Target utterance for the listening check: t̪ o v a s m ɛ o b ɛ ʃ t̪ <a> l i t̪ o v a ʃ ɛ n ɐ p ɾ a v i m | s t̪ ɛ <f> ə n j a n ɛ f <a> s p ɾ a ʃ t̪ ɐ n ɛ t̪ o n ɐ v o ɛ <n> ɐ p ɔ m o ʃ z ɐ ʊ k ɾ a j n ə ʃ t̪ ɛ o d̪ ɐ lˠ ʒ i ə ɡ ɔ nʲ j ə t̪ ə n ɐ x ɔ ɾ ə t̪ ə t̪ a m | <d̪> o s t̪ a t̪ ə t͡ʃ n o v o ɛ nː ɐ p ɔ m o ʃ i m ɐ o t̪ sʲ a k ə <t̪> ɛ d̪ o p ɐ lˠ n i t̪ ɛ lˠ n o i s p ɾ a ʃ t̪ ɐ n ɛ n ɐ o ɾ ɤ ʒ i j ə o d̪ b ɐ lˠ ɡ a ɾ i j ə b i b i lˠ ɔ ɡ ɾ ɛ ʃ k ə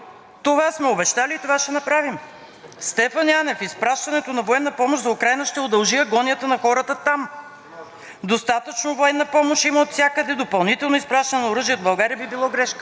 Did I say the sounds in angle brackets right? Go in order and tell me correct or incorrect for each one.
correct, correct, incorrect, incorrect, correct, incorrect

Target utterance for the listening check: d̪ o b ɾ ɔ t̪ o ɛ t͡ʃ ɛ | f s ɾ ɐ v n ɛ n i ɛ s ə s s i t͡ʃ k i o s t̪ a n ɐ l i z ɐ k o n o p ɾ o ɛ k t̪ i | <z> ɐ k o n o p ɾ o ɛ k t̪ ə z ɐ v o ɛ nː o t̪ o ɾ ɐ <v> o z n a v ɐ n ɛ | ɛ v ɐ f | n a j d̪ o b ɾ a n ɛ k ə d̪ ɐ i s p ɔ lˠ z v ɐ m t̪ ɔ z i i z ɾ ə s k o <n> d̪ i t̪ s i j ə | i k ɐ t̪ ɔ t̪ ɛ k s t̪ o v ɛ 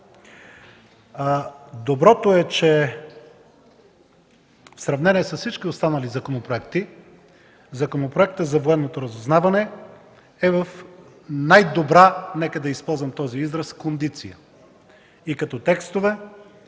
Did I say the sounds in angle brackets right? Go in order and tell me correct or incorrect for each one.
correct, incorrect, correct

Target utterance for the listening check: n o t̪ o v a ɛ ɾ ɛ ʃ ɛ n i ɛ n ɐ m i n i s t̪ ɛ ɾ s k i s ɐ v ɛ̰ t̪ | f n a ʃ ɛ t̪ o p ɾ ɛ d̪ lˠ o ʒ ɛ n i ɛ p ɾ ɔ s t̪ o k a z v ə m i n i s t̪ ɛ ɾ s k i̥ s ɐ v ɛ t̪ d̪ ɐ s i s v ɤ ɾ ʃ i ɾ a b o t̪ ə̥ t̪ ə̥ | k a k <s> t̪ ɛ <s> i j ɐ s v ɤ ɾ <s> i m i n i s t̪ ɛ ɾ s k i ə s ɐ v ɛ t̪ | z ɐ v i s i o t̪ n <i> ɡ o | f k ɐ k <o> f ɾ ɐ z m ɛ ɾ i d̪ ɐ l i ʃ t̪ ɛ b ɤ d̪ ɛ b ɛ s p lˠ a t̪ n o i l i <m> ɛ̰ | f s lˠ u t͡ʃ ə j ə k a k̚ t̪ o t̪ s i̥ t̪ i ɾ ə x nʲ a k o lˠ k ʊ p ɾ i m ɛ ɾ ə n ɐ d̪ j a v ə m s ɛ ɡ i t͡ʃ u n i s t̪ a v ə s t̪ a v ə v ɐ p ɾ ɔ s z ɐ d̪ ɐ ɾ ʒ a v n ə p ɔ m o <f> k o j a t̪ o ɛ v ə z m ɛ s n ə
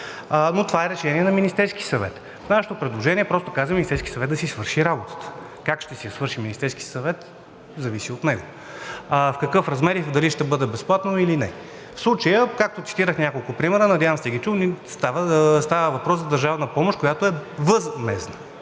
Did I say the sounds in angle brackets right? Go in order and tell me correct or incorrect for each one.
incorrect, correct, incorrect, incorrect, incorrect, incorrect, incorrect

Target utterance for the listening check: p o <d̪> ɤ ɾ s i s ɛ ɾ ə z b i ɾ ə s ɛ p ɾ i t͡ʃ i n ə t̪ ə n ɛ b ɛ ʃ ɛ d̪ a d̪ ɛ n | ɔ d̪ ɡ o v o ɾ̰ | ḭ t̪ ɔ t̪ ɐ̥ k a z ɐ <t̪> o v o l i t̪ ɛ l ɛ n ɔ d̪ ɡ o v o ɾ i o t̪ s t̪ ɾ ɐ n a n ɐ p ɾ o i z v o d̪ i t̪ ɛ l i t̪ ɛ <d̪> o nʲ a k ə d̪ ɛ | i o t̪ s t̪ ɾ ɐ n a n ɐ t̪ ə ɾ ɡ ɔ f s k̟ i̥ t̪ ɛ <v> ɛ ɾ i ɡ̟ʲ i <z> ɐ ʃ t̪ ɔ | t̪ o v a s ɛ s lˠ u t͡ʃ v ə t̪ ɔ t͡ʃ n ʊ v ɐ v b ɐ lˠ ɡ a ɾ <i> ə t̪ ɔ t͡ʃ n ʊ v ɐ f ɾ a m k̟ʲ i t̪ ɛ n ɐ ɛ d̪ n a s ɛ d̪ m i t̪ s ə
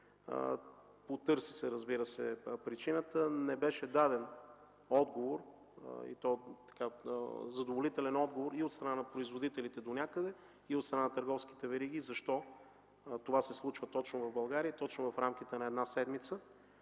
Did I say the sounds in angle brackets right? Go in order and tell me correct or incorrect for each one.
incorrect, incorrect, correct, correct, correct, correct

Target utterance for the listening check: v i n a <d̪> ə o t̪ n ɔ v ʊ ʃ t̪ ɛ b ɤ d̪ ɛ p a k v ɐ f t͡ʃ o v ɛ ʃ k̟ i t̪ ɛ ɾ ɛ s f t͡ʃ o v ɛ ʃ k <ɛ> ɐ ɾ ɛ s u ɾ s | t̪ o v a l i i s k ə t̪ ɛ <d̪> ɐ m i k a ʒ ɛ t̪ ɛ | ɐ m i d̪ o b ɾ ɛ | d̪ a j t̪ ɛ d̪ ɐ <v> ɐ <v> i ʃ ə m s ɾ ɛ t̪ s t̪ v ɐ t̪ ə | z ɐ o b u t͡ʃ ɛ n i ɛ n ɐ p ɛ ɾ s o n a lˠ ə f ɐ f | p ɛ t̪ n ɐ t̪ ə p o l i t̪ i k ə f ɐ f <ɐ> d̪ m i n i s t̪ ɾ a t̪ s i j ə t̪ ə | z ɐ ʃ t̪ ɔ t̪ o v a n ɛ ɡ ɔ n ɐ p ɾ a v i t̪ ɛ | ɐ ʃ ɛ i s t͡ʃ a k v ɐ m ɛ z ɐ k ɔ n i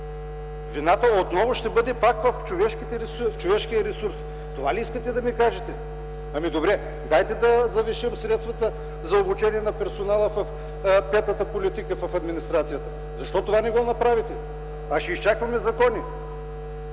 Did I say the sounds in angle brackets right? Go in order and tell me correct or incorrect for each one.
incorrect, incorrect, correct, incorrect, correct, correct

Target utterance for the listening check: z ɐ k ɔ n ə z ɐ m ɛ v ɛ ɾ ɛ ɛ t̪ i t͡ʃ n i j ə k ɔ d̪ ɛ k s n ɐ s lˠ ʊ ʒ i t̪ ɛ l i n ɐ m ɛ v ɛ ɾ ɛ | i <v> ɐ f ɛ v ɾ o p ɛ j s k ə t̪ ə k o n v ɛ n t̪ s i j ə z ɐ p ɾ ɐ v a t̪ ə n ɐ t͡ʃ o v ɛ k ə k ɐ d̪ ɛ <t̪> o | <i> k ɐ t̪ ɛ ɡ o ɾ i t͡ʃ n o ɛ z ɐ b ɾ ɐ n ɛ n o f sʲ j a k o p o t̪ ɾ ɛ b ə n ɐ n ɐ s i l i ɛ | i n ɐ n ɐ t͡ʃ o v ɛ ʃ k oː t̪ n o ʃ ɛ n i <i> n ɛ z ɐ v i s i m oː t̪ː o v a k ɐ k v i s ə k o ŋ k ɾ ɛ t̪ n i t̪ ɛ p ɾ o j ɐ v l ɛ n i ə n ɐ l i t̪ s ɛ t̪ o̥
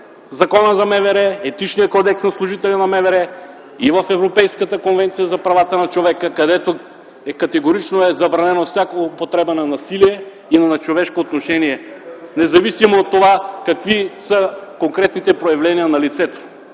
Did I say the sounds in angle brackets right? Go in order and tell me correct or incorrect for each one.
correct, correct, incorrect, incorrect

